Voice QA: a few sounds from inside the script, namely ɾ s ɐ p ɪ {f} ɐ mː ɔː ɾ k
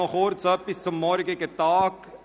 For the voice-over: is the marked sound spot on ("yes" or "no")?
no